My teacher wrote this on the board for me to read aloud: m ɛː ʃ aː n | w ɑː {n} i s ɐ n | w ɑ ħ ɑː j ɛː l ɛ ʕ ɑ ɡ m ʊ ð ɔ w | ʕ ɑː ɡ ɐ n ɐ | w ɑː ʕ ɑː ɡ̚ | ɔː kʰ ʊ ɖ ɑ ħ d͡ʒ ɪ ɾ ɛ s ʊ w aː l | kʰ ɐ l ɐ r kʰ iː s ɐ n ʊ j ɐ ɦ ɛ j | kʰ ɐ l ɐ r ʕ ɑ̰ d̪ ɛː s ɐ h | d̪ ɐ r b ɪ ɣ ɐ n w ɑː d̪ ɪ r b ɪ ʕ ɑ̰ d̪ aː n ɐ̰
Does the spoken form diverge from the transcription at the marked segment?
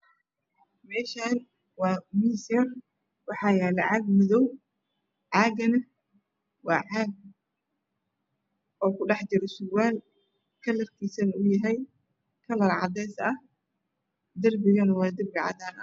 yes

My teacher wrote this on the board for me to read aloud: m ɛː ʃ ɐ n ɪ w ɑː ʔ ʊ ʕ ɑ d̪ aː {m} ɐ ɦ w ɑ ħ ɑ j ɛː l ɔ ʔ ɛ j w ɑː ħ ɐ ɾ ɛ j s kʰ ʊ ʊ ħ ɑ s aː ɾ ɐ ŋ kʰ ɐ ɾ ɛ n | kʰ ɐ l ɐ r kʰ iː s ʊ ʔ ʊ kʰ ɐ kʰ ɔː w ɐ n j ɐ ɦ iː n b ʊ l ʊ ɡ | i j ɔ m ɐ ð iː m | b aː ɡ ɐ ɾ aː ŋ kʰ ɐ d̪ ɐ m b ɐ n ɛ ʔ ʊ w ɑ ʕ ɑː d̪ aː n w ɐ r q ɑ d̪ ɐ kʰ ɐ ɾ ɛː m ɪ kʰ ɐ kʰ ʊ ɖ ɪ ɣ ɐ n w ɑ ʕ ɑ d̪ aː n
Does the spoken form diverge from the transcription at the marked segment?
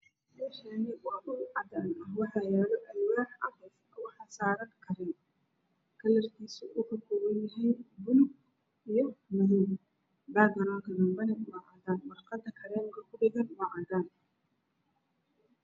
yes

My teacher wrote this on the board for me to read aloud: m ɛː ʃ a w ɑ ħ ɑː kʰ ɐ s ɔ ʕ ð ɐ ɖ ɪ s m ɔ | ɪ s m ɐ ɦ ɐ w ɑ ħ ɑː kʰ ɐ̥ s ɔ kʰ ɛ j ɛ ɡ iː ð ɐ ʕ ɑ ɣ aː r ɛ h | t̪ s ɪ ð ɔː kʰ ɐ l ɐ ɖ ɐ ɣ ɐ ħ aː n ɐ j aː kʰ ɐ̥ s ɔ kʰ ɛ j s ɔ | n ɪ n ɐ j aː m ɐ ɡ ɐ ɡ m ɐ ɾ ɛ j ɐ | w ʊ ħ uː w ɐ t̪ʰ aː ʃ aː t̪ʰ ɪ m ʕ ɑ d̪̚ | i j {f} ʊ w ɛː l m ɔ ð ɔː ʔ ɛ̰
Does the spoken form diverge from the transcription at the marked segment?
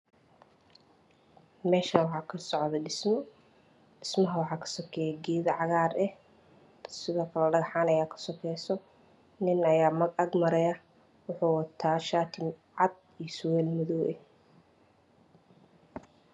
yes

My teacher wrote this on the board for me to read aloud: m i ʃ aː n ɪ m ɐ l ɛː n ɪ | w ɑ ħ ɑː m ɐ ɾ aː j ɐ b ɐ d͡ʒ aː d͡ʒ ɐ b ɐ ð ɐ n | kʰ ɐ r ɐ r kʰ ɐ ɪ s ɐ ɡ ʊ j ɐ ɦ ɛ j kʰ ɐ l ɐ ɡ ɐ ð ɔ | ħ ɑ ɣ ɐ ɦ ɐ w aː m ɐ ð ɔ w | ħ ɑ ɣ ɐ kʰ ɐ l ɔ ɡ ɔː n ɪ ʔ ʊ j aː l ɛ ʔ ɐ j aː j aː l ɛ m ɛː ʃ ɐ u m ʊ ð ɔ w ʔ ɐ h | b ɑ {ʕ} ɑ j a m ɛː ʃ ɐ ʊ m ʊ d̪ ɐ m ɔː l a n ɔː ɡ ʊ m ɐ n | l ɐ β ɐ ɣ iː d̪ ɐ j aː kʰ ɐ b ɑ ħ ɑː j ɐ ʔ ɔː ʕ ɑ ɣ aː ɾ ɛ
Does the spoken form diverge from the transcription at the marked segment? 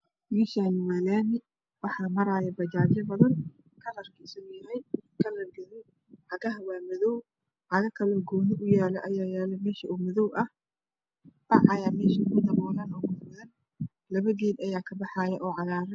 no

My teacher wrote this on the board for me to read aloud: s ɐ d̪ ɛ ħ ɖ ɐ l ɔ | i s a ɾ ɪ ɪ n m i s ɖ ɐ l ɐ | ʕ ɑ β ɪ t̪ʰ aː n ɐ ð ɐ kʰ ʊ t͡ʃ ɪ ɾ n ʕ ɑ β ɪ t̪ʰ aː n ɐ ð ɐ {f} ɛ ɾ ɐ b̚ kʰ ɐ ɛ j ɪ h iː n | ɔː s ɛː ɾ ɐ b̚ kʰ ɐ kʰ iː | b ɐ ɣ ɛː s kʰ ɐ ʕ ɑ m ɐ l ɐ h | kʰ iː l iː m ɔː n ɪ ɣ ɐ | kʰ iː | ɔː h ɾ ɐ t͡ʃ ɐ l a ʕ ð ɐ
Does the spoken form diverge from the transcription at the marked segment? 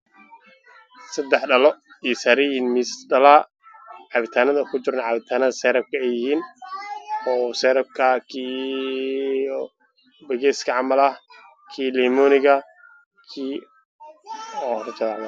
yes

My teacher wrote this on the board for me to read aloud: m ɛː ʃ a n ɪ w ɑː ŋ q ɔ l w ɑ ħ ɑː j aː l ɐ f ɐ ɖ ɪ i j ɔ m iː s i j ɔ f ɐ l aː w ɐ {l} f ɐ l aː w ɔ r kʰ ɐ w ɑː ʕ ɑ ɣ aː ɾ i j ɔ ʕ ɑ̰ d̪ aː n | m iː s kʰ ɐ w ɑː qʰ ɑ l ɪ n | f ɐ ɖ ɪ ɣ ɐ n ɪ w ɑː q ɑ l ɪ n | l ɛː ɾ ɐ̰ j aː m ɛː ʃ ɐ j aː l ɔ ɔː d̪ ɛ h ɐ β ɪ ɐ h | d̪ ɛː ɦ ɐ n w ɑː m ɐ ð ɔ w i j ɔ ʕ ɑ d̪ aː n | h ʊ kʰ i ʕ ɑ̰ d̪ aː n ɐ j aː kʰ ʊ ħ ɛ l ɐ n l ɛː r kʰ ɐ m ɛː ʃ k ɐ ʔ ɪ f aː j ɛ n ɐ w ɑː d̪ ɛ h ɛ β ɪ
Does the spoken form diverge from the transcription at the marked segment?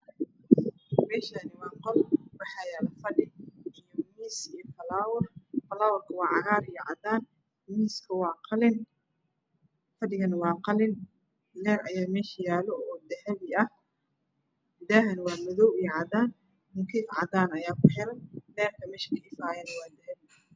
yes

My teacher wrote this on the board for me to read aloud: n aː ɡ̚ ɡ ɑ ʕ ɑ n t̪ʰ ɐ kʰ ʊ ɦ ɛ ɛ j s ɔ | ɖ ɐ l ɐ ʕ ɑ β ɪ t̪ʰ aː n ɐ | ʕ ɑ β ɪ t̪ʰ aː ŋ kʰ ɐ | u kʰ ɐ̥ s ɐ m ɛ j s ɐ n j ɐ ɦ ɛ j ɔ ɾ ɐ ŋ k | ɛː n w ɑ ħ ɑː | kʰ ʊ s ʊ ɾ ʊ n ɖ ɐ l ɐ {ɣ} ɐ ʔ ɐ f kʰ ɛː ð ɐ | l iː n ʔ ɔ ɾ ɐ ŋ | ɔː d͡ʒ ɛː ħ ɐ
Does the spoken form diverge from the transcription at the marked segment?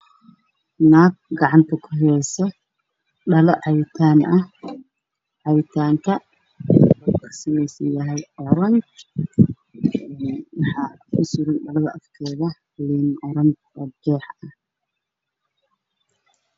yes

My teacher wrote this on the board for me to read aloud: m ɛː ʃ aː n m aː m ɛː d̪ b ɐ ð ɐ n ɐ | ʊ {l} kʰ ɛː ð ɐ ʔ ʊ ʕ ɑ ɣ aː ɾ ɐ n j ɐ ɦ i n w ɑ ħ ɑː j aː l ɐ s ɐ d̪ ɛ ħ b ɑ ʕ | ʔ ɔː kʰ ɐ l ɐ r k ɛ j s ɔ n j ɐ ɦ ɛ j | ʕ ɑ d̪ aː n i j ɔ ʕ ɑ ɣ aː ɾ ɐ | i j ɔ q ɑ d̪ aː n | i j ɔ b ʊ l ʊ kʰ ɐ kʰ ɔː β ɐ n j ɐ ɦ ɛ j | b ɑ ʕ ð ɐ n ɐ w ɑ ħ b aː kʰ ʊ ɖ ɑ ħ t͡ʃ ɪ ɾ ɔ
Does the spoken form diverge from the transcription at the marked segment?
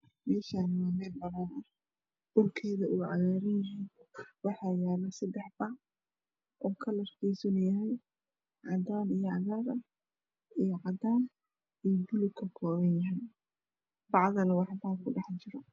yes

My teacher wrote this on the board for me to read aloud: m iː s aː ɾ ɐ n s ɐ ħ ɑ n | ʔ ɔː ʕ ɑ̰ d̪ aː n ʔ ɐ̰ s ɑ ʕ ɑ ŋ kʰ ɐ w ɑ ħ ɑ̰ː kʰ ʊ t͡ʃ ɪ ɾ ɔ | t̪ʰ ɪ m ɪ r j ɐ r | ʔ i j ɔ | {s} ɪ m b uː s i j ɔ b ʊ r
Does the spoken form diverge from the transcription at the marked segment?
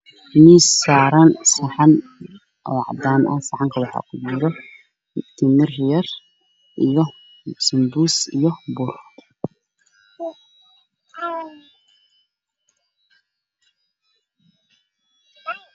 no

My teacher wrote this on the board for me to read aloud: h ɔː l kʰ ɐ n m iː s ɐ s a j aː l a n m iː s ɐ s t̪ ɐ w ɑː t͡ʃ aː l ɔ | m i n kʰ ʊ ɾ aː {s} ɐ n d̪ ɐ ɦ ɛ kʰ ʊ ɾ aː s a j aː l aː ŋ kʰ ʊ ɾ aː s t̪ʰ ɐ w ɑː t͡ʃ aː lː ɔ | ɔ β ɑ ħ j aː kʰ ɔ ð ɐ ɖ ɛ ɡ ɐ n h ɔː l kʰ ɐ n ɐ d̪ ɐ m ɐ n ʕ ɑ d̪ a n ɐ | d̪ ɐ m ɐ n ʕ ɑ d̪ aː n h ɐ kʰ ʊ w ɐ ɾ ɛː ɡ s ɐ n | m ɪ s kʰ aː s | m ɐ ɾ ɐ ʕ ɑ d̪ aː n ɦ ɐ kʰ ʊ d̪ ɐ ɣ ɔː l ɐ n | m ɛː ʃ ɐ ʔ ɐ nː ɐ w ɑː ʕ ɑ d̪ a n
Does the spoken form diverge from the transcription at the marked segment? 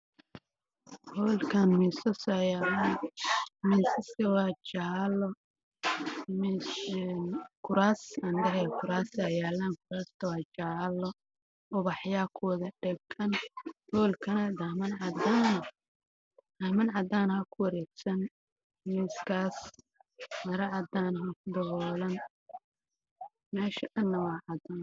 no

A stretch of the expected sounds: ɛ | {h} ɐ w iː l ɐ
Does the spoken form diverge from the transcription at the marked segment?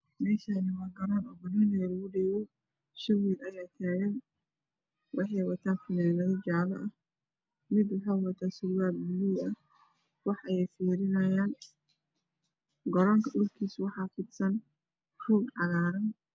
yes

